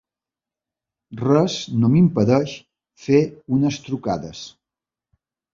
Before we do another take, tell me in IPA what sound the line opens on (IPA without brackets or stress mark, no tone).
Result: r